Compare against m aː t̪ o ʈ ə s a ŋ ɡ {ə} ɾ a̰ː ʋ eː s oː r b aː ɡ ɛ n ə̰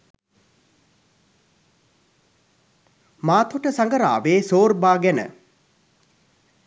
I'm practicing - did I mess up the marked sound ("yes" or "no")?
no